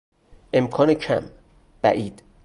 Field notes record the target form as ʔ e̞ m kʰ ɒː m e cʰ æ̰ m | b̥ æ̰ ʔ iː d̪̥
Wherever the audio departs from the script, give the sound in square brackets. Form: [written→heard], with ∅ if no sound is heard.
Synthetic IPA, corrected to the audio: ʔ e̞ m kʰ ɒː [m→n] e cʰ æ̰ m | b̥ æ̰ ʔ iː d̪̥